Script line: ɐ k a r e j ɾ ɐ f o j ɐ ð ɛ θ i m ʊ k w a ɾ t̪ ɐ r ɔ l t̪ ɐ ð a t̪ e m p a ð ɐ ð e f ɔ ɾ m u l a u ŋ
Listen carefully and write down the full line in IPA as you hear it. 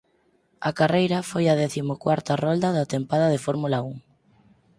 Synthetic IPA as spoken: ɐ k a r e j ɾ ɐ f o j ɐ ð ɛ θ i m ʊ k w a ɾ t̪ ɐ r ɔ l d̪ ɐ ð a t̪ e m p a ð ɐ ð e f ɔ ɾ m u l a u ŋ

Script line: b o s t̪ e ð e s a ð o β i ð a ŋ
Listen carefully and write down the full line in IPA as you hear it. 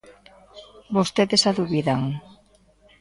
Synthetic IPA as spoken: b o s t̪ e ð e s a ð u β i ð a ŋ

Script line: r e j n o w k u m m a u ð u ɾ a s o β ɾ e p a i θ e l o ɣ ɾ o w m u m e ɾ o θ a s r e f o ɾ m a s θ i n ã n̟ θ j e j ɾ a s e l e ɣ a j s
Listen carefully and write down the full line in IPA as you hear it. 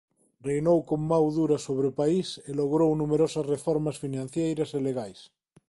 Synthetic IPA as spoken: r e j n o w k o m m a w ð u ɾ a s o β ɾ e p a i s e l o ɣ ɾ o w n u m e ɾ o s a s r e f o ɾ m a s f i n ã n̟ θ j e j ɾ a s e l e ɣ a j s

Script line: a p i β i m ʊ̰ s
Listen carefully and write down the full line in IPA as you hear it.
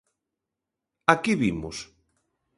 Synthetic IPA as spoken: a k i β i m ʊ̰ s

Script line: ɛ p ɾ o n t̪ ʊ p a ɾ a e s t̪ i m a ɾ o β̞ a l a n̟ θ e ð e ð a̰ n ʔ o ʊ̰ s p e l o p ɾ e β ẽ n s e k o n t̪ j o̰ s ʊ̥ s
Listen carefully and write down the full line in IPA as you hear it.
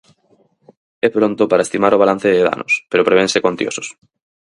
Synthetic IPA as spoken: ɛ p ɾ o n t̪ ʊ p a ɾ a e s t̪ i m a ɾ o β̞ a l a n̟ θ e ð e ð a̰ n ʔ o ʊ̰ s p e ɾ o p ɾ e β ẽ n s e k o n t̪ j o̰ s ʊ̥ s

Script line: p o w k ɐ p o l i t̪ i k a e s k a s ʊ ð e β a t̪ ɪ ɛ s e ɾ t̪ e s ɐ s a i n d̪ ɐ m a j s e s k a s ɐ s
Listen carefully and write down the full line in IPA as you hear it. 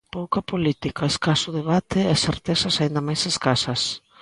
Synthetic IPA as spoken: p o w k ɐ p o l i t̪ i k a e s k a s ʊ ð e β a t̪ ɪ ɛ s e ɾ t̪ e s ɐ s a i n d̪ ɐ m a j s e s k a s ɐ s

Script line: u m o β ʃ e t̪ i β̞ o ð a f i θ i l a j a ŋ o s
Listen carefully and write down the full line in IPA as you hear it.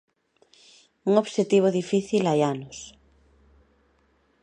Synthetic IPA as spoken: u ŋ o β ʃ e t̪ i β̞ o ð i f i θ i l a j a n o s

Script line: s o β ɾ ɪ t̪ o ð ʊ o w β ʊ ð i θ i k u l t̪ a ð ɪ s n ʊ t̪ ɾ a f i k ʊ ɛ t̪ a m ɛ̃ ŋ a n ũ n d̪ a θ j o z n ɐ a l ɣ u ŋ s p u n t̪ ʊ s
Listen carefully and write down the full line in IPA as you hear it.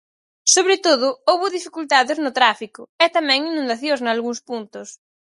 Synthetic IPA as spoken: s o β ɾ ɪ t̪ o ð ʊ o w β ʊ ð i f i k u l t̪ a ð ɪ z n ʊ t̪ ɾ a f i k ʊ ɛ t̪ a m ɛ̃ ŋ i n ũ n d̪ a θ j o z n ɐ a l ɣ u ŋ s p u n t̪ ʊ s

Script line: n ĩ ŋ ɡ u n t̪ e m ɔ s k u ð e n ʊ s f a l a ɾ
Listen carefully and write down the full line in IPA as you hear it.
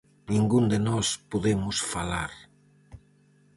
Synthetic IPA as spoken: n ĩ ŋ ɡ u n d̪ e n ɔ s p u ð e m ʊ s f a l a ɾ

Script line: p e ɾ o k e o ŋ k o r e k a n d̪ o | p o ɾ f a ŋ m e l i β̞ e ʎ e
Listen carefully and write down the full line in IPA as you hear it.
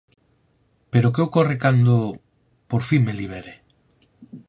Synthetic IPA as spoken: p e ɾ o k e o k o r e k a n d̪ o | p o ɾ f i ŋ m e l i β̞ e ɾ e

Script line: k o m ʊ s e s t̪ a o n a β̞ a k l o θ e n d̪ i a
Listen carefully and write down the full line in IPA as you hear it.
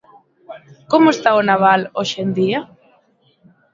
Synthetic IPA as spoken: k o m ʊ e s t̪ a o n a β̞ a l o ʃ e n d̪ i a

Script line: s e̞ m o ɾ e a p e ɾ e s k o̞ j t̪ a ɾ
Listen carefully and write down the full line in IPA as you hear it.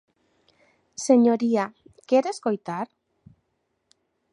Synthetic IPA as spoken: s e̞ ɲ o ɾ i a k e ɾ e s k o̞ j t̪ a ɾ

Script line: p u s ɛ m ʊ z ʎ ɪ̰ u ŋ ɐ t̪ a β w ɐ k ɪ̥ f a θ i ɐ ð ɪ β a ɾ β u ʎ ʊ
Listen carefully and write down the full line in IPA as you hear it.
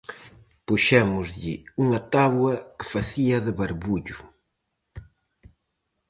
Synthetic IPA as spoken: p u ʃ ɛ m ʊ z ʎ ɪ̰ u ŋ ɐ t̪ a β w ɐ k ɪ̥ f a θ i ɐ ð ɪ β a ɾ β u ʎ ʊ

